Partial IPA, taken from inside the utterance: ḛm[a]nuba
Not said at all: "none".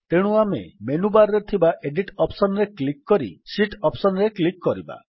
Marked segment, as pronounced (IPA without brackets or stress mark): e